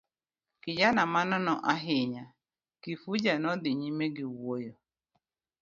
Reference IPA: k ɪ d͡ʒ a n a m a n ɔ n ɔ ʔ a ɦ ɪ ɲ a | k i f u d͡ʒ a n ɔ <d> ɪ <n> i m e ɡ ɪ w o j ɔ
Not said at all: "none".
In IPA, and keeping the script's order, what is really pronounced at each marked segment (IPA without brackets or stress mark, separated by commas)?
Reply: d, ɲ